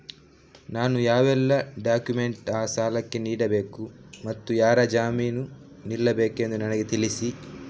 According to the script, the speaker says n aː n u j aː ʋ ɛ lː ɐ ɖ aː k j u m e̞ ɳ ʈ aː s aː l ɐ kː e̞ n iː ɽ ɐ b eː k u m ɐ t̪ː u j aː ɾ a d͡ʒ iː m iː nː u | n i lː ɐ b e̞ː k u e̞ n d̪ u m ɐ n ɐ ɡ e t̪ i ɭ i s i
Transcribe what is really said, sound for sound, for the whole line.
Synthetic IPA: n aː n u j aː ʋ ɛ lː ɐ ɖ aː k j u m e̞ ɳ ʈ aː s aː l ɐ kː e̞ n iː ɽ ɐ b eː k u m ɐ t̪ː u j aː ɾ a d͡ʒ aː m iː n u | n i lː ɐ b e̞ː k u e̞ n d̪ u n ɐ n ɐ ɡ e t̪ i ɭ i s i